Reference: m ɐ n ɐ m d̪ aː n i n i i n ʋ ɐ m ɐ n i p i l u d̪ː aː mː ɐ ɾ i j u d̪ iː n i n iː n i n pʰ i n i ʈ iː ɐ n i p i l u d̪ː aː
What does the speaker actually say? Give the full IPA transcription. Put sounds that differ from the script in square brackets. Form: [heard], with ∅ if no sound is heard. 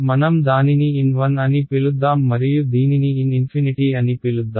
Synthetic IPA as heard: m ɐ n ɐ m d̪ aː n i n i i n ʋ ɐ [n] ɐ n i p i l u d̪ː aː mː ɐ ɾ i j u d̪ iː n i n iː n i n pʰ i n i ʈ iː ɐ n i p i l u d̪ː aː